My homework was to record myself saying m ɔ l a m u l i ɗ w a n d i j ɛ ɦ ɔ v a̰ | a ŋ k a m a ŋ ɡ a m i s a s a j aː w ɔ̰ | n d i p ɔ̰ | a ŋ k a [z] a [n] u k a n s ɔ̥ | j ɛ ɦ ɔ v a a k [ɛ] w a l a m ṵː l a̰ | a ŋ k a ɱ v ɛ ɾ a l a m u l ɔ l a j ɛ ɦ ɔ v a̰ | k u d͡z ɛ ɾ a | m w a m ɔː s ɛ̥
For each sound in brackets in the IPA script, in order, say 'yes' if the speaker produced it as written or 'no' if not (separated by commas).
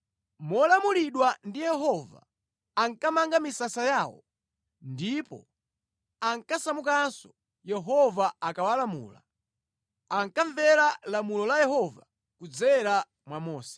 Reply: no, no, no